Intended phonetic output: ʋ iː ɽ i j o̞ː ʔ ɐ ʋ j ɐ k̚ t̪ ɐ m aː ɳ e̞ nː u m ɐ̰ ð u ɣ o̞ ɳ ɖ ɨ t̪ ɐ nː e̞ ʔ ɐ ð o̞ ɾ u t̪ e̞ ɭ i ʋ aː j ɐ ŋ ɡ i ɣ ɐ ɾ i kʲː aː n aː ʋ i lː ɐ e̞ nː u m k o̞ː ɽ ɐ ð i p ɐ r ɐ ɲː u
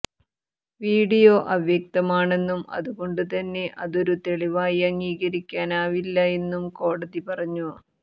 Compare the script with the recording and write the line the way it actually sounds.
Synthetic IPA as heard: ʋ iː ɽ i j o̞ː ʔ ɐ ʋ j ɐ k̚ t̪ ɐ m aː ɳ e̞ nː u m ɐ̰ ð u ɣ o̞ ɳ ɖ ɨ t̪ ɐ nː e̞ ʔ ɐ ð o̞ ɾ u t̪ e̞ ɭ i ʋ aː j ɐ ŋ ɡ iː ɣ ɐ ɾ i kʲː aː n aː ʋ i lː ɐ e̞ nː u m k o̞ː ɽ ɐ ð i p ɐ r ɐ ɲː u